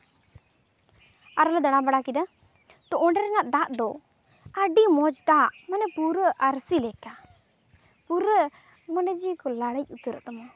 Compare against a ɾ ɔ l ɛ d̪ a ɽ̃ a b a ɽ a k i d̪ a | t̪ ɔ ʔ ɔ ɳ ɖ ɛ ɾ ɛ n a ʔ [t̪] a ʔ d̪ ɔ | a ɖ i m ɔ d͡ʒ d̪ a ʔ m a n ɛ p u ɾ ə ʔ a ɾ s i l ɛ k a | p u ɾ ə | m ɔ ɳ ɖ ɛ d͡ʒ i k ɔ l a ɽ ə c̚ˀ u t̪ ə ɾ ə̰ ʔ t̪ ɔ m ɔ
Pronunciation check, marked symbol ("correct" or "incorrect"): incorrect